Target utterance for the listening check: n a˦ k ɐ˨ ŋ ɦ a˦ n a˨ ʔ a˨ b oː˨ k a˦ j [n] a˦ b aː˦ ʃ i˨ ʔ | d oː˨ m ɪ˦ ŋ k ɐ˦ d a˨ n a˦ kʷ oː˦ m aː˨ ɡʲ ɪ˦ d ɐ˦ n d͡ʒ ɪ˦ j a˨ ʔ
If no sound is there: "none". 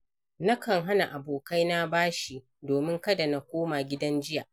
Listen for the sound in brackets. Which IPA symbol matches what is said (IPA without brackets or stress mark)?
n